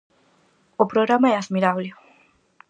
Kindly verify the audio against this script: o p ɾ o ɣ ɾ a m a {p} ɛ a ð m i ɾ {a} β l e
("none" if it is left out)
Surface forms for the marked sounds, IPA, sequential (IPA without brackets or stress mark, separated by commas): none, a